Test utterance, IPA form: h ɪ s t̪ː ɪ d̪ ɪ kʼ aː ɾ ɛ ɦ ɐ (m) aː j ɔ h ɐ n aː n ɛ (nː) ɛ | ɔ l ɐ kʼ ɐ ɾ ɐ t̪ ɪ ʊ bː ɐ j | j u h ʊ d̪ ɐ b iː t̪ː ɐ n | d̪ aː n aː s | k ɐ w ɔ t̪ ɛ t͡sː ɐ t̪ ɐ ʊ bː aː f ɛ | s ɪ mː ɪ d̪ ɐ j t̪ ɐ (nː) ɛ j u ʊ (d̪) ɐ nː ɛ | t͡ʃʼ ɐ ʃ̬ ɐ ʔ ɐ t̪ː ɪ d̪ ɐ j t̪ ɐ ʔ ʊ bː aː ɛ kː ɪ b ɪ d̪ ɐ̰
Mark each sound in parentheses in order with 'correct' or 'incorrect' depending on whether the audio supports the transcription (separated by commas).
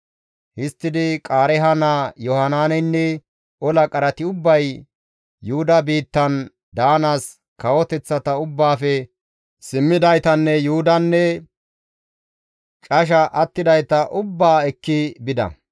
incorrect, correct, correct, correct